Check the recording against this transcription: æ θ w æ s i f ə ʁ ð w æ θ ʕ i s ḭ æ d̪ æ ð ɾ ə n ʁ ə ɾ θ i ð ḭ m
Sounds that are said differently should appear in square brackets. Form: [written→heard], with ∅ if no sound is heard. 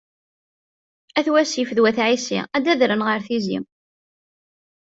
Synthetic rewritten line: æ θ w æ s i f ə [ʁ→∅] ð w æ θ ʕ i s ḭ æ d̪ æ ð ɾ ə n ʁ ə ɾ θ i [ð→z] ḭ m